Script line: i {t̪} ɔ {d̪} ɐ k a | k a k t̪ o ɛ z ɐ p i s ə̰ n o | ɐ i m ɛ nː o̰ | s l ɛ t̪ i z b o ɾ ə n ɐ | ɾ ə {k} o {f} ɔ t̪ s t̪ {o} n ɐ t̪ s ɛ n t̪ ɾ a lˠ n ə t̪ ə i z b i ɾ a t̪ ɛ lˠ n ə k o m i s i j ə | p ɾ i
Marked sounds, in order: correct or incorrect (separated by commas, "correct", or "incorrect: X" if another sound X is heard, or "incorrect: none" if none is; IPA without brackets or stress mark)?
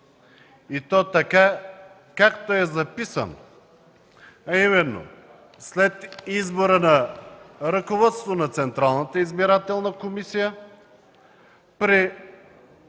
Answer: correct, incorrect: t̪, correct, incorrect: v, correct